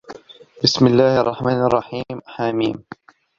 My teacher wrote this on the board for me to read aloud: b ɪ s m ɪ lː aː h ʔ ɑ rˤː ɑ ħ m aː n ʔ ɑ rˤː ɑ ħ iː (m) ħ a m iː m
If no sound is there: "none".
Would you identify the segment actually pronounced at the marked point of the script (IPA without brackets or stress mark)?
m